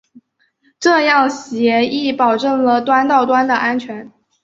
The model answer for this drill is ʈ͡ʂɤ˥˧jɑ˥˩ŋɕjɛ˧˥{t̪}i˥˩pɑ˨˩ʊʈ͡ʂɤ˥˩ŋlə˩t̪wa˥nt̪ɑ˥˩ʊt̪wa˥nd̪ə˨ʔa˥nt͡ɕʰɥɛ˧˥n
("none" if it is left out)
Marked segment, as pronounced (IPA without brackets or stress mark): none